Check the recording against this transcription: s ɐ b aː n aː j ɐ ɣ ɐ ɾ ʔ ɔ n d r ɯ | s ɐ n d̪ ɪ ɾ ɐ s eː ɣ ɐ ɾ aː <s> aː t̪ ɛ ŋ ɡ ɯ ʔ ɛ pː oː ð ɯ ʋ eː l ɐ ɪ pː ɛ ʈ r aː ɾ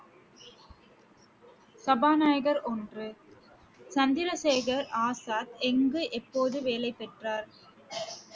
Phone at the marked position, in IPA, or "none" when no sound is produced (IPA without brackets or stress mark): s